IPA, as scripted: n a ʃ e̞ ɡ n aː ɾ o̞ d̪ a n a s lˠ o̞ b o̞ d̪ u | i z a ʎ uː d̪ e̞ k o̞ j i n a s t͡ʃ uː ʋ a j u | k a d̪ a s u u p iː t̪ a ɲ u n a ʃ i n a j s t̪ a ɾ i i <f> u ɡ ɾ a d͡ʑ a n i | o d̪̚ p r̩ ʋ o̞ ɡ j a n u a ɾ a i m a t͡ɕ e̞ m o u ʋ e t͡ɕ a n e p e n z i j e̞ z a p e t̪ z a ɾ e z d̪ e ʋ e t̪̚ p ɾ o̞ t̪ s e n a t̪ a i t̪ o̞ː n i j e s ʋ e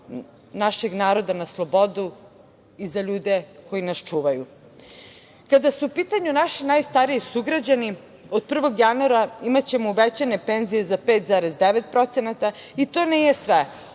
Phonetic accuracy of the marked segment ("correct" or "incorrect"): incorrect